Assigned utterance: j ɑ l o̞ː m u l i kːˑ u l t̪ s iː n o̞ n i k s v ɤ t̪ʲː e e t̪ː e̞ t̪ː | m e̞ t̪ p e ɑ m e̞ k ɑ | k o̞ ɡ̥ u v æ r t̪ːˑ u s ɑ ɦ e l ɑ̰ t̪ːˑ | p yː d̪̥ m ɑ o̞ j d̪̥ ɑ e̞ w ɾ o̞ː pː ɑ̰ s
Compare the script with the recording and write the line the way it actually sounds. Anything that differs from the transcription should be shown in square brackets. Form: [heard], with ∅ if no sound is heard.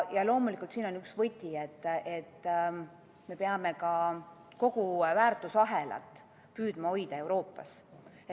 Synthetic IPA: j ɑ l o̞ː m u l i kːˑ u l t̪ s iː n o̞ n [y] k s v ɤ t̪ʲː [i] e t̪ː e̞ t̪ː | m e̞ [∅] p e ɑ m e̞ k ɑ | k o̞ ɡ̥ u v [æː] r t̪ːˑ u s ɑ ɦ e l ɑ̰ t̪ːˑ | p yː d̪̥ m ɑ o̞ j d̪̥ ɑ e̞ w ɾ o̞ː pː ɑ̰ s